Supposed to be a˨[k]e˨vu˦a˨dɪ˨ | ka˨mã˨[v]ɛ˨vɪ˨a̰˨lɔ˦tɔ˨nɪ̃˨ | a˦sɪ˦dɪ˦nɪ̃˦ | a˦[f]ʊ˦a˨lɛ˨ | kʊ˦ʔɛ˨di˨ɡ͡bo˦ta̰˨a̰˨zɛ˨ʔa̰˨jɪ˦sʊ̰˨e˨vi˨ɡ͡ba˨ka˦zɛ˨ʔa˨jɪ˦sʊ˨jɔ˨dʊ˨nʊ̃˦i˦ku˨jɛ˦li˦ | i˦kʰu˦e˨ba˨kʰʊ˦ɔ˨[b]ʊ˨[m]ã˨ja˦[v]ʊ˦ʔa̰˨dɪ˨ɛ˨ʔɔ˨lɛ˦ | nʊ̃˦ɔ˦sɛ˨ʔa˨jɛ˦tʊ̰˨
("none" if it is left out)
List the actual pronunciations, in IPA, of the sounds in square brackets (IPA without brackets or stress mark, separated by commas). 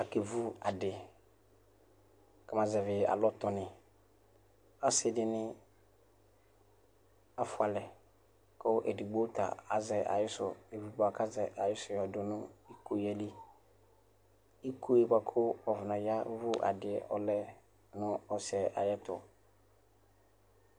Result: k, z, f, v, n, v